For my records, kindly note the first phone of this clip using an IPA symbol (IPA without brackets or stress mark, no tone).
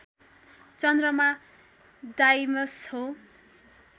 t͡s